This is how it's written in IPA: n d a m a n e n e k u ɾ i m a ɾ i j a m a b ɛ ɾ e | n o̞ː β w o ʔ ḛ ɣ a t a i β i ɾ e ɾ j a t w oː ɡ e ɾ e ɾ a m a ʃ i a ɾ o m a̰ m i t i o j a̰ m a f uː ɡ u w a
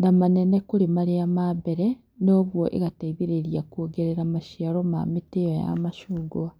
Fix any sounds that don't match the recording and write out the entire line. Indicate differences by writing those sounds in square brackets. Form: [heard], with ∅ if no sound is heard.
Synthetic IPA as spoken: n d a m a n e n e k u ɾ i m a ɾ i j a m a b [e] ɾ e | n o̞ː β w o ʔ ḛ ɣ a t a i β i ɾ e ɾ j a [k] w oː ɡ e ɾ e ɾ a m a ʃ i a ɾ o m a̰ m i t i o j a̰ m a [ʃ] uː ɡ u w a